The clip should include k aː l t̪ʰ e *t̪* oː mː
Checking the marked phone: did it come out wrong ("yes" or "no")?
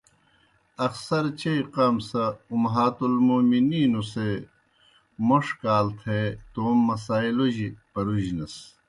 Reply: no